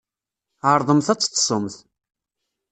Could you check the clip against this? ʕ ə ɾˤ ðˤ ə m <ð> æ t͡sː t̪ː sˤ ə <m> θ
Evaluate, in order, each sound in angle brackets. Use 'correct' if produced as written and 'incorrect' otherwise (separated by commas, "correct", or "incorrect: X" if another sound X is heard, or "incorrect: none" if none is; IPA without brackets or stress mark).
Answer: incorrect: θ, correct